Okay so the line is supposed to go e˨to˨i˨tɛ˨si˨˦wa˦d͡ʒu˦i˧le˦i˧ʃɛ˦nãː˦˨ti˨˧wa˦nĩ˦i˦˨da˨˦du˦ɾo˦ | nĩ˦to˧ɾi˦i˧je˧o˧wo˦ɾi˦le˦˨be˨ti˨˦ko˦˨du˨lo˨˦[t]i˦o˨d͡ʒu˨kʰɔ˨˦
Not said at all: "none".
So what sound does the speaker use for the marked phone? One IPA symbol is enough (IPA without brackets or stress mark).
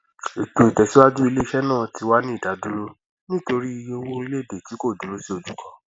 s